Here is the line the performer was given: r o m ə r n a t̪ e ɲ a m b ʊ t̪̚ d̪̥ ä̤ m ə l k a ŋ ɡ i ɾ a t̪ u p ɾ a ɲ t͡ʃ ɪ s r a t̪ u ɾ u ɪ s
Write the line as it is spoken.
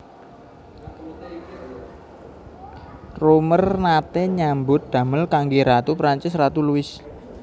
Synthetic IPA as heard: r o m ə r n a t̪ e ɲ a m b ʊ t̪̚ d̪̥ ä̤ m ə l k a ŋ ɡ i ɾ a t̪ u p ɾ a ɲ t͡ʃ ɪ s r a t̪ u l u ɪ s